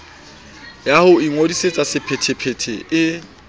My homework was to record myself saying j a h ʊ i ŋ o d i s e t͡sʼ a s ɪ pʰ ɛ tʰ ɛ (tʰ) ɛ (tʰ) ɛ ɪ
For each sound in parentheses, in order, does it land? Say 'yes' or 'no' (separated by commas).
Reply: no, yes